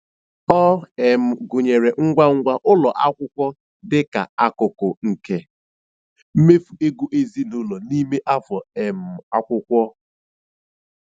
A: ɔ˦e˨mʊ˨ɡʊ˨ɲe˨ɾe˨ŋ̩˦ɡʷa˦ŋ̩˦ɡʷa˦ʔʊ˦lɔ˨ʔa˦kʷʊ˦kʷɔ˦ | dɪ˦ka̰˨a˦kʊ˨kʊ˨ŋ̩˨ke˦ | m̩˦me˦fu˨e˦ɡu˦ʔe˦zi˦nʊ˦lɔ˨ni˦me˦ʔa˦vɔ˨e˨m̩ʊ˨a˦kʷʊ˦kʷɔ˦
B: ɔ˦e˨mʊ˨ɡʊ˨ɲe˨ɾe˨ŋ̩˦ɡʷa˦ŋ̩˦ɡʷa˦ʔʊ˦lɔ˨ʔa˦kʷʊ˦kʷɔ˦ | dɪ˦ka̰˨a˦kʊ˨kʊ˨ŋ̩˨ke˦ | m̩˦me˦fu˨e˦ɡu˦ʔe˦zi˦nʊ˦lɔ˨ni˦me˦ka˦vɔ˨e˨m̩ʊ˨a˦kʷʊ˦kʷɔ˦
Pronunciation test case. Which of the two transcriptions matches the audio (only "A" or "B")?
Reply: A